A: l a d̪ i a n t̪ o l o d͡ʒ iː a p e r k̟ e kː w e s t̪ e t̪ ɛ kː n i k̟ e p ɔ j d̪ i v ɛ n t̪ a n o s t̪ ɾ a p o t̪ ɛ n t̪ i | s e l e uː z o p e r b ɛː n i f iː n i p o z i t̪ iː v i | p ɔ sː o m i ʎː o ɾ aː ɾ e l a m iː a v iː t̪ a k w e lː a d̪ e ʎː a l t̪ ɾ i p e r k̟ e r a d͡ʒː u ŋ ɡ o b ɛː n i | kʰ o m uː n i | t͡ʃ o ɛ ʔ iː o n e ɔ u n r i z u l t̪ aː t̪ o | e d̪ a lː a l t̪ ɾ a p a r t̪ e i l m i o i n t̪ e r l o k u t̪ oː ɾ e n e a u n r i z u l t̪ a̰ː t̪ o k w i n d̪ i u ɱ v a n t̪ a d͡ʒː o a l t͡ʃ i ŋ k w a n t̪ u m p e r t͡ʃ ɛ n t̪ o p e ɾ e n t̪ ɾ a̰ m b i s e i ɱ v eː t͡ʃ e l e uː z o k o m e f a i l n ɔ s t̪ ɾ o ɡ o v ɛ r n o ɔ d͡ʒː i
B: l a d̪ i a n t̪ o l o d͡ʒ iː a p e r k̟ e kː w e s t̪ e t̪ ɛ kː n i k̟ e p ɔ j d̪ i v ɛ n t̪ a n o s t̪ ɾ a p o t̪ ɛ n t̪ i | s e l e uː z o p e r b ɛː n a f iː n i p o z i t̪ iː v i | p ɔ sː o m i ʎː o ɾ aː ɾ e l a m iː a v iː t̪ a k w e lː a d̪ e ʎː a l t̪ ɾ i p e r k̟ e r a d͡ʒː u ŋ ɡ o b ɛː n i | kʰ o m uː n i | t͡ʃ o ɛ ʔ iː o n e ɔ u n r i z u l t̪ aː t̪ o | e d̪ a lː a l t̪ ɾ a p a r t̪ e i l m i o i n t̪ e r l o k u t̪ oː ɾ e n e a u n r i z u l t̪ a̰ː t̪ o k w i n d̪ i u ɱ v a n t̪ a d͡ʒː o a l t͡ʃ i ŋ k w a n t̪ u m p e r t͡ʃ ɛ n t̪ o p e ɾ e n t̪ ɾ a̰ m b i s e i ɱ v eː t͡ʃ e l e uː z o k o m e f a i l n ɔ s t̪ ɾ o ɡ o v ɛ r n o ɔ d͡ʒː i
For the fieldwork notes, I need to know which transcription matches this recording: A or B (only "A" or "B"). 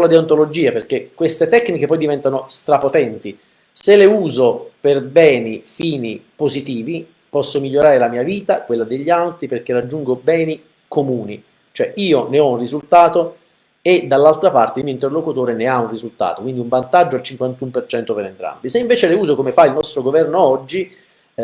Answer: A